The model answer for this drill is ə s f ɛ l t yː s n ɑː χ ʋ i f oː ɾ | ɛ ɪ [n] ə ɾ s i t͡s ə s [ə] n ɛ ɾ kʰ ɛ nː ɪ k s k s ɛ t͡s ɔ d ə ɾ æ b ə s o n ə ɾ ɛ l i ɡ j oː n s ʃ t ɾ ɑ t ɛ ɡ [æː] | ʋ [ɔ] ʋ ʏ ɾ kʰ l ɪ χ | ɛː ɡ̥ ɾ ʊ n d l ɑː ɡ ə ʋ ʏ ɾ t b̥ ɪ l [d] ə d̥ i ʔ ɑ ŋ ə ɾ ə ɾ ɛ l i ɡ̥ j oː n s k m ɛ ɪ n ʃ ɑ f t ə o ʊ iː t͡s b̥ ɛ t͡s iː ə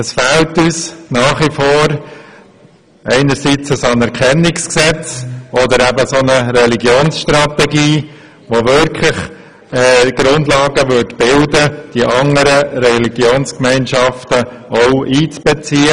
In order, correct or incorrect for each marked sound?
correct, incorrect, incorrect, incorrect, correct

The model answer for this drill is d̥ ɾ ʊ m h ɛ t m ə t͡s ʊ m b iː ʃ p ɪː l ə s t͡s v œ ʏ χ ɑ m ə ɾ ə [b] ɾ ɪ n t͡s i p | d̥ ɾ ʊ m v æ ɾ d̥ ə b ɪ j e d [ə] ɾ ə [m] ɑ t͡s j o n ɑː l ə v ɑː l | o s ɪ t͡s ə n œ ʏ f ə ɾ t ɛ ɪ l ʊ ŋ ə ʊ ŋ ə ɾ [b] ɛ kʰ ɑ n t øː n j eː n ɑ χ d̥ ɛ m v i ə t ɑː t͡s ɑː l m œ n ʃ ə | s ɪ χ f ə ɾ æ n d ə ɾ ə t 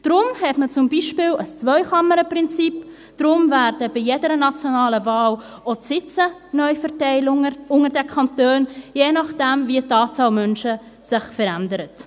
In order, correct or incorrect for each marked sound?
incorrect, correct, incorrect, incorrect

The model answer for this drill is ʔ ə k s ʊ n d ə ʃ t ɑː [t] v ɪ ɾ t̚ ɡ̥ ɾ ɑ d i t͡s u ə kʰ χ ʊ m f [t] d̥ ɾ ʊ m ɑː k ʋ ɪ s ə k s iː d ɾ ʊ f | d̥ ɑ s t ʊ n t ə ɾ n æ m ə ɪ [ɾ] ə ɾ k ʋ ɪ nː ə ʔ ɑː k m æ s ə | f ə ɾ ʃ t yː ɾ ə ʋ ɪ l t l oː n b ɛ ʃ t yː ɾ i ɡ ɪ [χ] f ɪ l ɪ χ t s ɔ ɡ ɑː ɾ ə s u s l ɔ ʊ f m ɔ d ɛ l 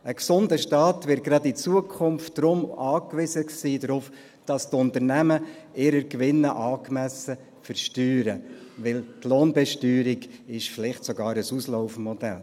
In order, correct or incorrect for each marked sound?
correct, correct, correct, incorrect

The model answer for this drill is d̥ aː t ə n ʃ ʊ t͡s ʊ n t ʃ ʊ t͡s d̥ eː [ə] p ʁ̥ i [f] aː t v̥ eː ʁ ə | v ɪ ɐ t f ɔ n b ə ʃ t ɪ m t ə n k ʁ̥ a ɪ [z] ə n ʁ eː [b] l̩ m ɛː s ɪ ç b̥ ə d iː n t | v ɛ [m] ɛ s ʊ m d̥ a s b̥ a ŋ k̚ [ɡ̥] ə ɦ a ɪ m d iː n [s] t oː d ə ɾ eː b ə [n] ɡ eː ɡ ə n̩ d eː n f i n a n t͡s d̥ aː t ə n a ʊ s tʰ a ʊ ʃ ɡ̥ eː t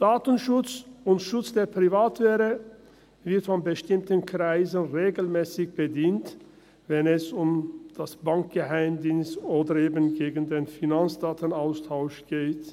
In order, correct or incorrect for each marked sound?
incorrect, incorrect, correct, incorrect, incorrect, correct, correct, correct

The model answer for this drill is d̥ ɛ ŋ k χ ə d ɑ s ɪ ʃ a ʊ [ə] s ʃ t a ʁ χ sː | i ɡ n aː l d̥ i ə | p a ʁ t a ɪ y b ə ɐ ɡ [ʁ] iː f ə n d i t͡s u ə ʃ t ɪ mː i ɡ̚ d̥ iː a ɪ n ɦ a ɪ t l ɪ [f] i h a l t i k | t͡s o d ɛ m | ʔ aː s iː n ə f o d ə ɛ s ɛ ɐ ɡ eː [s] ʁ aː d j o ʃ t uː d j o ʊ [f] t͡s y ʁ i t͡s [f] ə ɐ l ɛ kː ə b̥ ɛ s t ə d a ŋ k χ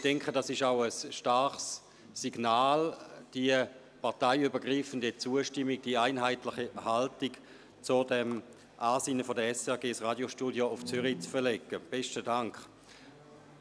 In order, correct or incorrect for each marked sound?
correct, correct, incorrect, correct, correct, correct

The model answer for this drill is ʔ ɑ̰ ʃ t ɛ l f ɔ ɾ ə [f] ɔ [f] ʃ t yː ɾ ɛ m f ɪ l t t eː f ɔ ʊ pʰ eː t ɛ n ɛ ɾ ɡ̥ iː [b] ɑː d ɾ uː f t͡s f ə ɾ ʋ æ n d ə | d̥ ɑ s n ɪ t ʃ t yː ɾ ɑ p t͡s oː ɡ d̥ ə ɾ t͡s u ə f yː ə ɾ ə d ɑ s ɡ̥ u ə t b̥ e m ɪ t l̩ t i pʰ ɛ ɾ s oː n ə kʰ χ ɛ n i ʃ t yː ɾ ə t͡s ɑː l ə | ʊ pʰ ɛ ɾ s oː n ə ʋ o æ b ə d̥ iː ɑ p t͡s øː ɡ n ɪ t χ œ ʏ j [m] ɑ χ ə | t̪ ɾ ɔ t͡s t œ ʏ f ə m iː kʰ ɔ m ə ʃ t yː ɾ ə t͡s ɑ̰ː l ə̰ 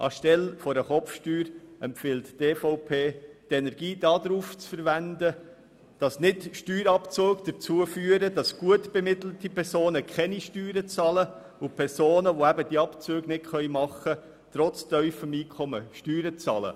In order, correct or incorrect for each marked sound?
incorrect, correct, incorrect, correct

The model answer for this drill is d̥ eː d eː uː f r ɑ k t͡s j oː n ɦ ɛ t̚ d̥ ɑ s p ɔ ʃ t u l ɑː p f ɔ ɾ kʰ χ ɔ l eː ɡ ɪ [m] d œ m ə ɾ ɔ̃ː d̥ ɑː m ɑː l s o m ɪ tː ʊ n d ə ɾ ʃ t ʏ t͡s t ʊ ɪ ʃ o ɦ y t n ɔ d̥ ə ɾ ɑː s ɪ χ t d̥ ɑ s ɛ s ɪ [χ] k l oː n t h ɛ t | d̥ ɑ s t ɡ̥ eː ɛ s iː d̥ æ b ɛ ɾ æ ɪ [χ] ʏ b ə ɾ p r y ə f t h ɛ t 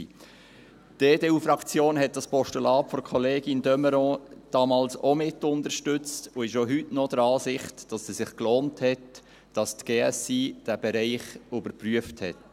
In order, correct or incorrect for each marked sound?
incorrect, correct, correct

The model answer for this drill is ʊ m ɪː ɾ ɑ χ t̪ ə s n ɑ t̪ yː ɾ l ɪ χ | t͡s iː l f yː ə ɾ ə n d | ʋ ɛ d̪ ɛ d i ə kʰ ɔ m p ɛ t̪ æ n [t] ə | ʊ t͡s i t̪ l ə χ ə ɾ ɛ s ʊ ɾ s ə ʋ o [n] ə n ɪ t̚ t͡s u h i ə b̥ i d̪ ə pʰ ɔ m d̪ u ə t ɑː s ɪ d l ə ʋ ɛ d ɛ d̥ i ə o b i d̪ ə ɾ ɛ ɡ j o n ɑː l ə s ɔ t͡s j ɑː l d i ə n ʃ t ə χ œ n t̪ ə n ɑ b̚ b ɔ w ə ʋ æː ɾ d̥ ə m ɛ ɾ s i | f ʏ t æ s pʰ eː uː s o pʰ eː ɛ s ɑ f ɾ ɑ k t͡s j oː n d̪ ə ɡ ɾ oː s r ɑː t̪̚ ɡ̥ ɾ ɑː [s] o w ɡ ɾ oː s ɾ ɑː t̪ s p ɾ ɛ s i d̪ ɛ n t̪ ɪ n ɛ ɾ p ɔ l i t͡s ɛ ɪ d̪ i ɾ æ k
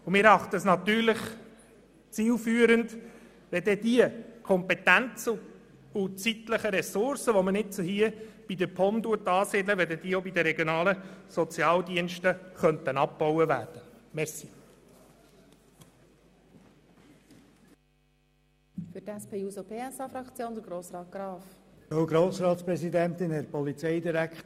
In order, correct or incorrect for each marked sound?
incorrect, incorrect, incorrect

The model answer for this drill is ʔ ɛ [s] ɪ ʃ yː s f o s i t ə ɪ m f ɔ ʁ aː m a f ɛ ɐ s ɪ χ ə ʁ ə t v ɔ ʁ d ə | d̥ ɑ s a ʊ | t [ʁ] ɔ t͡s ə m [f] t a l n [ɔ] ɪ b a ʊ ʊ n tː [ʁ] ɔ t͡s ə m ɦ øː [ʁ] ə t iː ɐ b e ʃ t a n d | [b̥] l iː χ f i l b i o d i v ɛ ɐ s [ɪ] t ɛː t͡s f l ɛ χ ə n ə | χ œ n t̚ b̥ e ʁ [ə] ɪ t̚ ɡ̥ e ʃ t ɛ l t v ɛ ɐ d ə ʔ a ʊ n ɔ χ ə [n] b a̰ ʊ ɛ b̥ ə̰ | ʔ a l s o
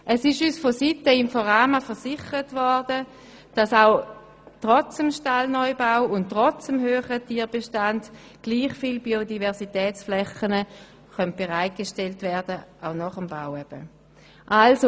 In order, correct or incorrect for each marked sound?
correct, correct, incorrect, correct, correct, incorrect, incorrect, incorrect, incorrect, incorrect

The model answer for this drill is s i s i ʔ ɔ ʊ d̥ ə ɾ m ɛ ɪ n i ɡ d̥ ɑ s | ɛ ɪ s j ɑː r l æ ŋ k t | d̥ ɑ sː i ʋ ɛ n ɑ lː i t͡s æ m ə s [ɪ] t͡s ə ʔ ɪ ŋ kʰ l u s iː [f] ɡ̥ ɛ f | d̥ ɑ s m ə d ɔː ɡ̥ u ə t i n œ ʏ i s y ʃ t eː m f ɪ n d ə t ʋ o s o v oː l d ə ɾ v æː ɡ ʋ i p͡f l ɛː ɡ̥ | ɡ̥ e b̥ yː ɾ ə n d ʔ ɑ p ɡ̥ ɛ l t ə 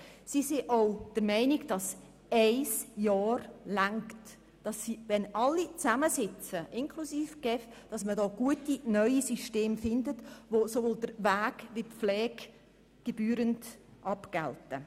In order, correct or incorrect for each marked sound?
correct, correct

